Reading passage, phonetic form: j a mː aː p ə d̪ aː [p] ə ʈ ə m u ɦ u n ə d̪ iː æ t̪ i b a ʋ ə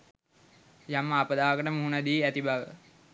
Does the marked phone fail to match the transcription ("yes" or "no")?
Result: yes